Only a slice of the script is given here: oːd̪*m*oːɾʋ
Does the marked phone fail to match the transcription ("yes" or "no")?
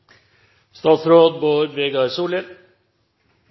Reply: yes